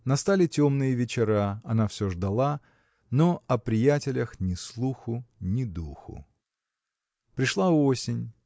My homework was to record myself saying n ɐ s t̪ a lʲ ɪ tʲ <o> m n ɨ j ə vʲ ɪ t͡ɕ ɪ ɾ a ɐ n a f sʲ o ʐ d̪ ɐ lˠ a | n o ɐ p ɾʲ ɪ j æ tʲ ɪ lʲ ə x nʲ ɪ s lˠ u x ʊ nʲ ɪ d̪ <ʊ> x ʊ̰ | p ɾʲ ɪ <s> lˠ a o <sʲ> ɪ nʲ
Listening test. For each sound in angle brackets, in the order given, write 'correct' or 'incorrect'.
correct, incorrect, incorrect, correct

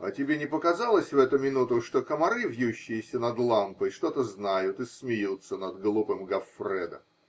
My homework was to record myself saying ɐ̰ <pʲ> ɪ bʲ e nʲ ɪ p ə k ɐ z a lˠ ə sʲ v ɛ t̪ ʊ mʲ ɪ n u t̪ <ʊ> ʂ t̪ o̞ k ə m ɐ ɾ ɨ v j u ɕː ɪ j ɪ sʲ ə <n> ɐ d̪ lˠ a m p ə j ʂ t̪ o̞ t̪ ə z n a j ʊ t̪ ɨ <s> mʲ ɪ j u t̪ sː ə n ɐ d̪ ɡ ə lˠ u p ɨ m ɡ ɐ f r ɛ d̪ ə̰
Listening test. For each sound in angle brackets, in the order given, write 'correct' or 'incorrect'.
incorrect, correct, correct, correct

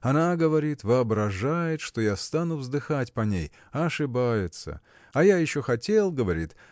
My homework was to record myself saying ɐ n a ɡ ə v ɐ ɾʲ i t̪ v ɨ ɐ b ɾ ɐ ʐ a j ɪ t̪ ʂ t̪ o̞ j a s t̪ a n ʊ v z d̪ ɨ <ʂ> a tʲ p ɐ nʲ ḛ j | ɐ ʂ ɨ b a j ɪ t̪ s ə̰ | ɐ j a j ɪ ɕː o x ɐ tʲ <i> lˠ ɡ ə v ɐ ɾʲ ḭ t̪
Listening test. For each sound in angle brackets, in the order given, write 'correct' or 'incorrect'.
incorrect, incorrect

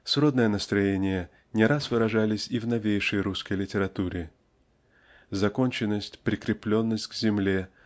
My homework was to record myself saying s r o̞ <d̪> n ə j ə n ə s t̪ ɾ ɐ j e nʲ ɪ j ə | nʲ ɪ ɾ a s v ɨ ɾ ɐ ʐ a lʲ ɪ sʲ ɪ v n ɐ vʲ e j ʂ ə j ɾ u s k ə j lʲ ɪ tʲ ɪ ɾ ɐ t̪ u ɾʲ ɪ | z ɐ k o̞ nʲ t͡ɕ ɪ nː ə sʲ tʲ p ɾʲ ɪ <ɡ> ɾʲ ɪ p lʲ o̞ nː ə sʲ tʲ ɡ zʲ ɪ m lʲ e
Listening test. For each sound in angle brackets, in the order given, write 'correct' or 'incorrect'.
correct, incorrect

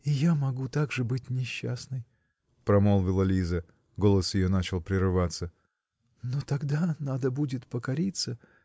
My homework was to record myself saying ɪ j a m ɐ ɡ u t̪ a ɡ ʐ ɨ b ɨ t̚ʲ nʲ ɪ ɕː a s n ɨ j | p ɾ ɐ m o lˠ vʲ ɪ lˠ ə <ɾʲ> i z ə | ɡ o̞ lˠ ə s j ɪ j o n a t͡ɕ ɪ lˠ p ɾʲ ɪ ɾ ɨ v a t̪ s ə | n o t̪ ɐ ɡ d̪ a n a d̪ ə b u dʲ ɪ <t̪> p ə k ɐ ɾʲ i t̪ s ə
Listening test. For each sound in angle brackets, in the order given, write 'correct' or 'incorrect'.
incorrect, correct

